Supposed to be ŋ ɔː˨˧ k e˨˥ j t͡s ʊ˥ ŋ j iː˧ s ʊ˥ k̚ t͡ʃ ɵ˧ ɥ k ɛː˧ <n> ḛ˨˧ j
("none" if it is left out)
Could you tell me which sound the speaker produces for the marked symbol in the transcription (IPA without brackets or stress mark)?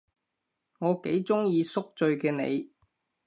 n